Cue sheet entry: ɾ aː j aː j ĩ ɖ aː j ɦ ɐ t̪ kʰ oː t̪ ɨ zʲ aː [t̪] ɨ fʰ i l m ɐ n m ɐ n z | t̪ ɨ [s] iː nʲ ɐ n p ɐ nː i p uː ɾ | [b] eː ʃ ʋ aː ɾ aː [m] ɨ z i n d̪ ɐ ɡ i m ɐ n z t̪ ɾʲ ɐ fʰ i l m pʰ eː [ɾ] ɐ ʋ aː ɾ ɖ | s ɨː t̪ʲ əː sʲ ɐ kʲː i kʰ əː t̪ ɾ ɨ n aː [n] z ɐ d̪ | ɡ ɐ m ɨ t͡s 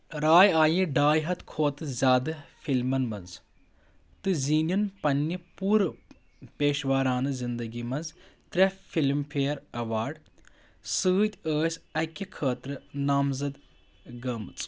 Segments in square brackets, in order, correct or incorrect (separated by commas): incorrect, incorrect, incorrect, incorrect, correct, incorrect